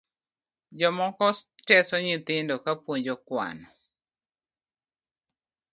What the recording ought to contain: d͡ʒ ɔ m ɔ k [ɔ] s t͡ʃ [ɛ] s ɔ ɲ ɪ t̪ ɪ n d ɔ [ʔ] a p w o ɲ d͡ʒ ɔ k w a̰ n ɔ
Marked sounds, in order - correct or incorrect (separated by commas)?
correct, correct, incorrect